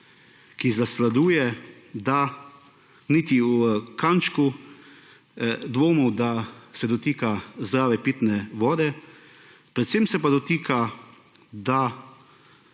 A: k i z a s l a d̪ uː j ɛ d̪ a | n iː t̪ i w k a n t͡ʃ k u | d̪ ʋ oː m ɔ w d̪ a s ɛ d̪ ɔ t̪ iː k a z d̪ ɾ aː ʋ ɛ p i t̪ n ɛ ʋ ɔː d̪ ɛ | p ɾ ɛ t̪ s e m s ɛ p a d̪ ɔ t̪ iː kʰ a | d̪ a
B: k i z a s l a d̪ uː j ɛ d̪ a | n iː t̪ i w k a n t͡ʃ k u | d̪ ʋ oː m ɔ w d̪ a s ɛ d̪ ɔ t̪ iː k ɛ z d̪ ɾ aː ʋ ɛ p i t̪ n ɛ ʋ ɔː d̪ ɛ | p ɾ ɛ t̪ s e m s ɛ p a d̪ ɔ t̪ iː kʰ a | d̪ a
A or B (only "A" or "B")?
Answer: A